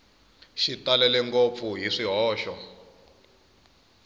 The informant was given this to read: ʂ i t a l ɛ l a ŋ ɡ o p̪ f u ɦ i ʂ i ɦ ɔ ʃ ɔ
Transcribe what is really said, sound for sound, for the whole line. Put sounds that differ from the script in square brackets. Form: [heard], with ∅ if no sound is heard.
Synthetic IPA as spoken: [ʃ] i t a l ɛ l [ɛ] ŋ [k] o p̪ f u ɦ i ʂ i ɦ [ɔː] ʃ ɔ